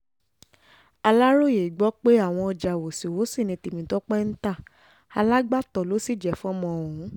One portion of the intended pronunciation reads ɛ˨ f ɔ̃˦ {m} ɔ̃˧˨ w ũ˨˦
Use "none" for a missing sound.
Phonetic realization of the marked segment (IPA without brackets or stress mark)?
m